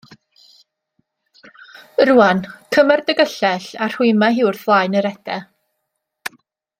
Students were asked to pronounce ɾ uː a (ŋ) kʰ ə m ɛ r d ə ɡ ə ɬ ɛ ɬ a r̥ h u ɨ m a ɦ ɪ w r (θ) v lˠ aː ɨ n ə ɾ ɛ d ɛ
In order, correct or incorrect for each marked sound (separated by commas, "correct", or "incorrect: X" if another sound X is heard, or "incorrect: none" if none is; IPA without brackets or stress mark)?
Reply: incorrect: n, correct